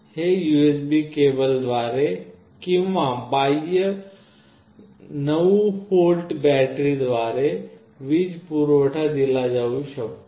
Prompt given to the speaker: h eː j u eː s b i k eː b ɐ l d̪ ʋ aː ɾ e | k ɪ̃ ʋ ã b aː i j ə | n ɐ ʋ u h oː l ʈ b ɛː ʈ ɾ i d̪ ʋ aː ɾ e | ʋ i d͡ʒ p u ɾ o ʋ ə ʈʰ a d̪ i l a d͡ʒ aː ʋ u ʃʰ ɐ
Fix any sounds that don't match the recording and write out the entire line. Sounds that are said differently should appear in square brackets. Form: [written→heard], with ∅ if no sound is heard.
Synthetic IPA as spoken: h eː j u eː s b i k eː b [ɐ→ə] l d̪ ʋ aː ɾ e | k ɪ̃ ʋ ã b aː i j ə | n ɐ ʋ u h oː l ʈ b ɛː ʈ ɾ i d̪ ʋ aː ɾ e | ʋ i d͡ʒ p u ɾ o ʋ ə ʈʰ a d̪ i l a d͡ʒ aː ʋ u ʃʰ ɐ